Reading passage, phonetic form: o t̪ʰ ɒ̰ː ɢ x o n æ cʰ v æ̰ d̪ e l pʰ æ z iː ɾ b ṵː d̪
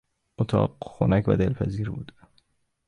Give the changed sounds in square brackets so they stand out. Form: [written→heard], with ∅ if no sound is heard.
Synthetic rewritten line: o t̪ʰ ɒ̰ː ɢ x o n æ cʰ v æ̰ d̪ e l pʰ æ z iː ɾ b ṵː d̪